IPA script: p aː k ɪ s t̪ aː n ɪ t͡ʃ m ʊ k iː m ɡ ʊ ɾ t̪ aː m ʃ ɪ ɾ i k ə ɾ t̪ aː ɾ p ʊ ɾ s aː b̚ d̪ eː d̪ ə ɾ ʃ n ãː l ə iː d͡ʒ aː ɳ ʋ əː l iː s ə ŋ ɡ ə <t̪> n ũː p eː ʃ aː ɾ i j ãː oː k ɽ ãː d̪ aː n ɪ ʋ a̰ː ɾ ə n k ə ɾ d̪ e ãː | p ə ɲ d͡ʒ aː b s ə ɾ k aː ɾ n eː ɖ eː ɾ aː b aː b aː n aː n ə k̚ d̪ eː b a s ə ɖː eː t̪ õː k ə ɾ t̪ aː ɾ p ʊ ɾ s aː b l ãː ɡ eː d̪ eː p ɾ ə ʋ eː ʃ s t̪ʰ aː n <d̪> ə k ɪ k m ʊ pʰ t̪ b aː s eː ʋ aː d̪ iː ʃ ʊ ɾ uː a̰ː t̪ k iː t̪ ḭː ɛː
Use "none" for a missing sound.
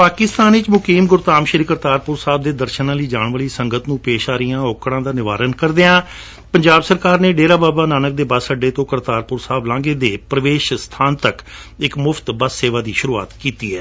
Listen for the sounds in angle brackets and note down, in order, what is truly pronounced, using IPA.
t̪, t̪

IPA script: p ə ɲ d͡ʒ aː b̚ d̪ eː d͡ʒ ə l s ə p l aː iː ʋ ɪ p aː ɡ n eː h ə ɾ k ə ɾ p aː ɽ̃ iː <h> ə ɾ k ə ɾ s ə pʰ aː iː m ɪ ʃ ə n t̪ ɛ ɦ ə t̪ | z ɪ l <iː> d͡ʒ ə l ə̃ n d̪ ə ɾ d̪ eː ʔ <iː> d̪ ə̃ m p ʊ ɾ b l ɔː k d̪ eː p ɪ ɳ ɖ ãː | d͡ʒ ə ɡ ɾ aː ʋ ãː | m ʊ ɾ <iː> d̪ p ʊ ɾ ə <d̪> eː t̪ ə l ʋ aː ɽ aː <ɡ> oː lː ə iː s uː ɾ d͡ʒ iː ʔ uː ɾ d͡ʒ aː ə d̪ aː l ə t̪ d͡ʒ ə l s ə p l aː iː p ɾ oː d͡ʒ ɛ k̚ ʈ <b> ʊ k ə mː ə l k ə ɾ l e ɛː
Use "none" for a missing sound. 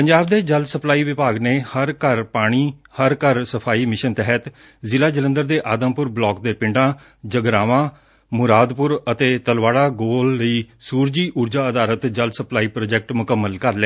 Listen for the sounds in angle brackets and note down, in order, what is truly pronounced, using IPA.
h, aː, aː, aː, t̪, ɡ, m

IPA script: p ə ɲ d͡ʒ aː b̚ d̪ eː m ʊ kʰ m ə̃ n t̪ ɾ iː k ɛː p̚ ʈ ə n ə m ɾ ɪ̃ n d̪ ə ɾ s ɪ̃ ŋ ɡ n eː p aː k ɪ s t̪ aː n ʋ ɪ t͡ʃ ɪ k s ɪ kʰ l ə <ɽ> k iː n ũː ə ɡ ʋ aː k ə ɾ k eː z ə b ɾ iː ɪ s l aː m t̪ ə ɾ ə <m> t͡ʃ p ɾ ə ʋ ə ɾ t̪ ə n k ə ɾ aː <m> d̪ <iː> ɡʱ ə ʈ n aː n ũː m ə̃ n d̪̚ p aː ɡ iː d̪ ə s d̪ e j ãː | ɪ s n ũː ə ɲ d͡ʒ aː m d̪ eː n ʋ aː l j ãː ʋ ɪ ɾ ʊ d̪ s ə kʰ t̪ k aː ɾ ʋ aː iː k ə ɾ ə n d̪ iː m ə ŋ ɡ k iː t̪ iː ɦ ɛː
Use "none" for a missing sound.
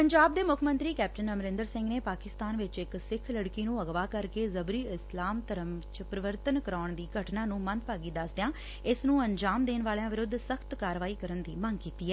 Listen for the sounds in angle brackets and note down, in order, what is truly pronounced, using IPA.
ɽ, m, ɳ, iː

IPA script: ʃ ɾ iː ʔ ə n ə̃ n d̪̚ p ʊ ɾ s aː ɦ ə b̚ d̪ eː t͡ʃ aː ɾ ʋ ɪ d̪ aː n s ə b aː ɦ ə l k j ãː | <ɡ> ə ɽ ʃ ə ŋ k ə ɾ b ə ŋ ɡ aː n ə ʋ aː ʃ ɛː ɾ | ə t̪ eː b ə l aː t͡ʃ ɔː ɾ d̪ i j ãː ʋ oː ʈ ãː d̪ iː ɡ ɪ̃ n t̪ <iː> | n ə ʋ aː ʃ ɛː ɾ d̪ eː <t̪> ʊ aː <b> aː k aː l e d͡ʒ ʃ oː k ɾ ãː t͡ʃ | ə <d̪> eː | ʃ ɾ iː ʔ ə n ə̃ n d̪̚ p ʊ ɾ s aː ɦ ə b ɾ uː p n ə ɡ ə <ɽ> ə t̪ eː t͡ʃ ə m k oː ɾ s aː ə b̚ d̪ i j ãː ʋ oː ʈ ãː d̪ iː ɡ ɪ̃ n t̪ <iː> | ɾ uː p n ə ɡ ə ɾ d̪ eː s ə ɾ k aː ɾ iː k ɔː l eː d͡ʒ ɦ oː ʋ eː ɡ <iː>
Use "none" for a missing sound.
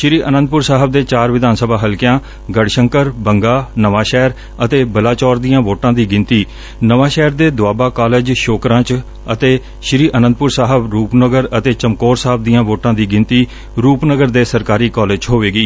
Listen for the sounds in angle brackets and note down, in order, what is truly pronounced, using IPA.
ɡ, iː, d̪, b, t̪, ɾ, iː, iː

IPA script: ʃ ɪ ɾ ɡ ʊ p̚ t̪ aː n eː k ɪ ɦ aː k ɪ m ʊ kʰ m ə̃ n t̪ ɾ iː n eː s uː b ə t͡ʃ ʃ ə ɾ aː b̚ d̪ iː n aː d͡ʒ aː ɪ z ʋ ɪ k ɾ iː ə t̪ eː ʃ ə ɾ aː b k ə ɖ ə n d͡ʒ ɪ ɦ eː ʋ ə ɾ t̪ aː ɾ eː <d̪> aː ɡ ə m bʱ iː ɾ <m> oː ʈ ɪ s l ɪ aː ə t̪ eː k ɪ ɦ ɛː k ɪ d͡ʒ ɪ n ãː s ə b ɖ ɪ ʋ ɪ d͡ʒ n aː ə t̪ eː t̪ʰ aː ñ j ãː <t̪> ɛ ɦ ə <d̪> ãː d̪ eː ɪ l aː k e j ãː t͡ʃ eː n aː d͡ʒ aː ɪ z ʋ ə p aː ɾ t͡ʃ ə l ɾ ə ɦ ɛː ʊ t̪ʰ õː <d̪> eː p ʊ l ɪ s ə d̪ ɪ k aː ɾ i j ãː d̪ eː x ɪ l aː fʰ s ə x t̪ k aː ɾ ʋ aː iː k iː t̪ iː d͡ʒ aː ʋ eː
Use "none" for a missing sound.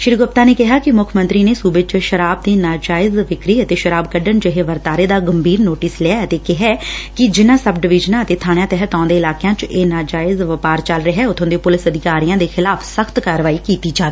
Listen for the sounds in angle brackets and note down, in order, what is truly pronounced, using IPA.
d̪, n, t̪, t̪, d̪

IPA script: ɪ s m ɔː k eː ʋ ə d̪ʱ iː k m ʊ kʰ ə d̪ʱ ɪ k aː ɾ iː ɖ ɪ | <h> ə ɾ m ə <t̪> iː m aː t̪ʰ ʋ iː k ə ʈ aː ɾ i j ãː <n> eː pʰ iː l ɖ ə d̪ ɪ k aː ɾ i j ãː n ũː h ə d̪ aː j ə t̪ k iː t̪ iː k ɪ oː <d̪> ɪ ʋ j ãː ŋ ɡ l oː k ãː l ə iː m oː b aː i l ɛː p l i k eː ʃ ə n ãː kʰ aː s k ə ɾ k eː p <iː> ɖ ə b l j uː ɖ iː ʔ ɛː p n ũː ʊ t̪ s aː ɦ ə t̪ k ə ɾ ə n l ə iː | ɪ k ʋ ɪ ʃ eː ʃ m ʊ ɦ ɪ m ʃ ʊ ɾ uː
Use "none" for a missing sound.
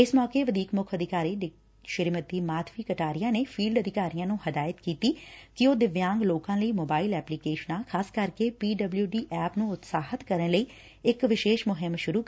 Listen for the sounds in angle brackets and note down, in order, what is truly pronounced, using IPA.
ʃ, t̪, n, d̪, iː

